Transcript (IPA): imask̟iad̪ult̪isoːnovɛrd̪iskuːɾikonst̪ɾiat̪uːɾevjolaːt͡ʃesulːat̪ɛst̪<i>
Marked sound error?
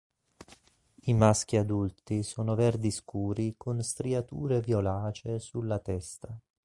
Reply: yes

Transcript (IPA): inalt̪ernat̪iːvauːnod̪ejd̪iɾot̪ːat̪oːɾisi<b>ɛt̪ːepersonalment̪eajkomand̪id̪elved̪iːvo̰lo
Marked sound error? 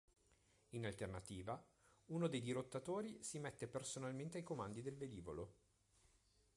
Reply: yes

